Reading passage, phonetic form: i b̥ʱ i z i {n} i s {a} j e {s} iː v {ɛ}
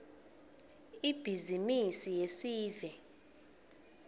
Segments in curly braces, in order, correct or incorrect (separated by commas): incorrect, incorrect, correct, correct